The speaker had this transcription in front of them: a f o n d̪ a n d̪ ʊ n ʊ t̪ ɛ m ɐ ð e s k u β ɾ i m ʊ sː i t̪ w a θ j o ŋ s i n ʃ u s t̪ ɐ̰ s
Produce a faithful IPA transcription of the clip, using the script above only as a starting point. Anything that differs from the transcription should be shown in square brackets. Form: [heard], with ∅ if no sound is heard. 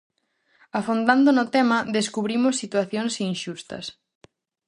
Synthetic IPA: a f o n d̪ a n d̪ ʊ n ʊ t̪ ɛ m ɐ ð e s k u β ɾ i m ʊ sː i t̪ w a θ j o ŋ s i n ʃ u s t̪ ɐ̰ s